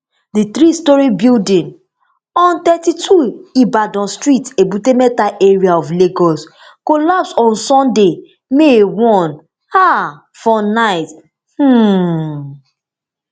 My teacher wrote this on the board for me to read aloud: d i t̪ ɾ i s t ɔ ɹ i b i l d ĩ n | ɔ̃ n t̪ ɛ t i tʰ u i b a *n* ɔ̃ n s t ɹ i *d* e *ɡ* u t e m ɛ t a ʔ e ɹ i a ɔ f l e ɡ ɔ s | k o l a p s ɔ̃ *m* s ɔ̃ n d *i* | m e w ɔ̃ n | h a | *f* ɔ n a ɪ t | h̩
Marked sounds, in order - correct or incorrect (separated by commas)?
incorrect, incorrect, incorrect, incorrect, incorrect, correct